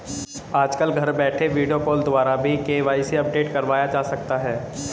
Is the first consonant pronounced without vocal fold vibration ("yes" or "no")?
no